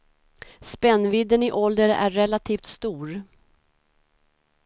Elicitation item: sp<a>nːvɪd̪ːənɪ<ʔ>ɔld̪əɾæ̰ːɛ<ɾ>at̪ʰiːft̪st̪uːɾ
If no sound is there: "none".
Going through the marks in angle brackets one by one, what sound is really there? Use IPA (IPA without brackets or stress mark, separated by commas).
ɛ, ʔ, l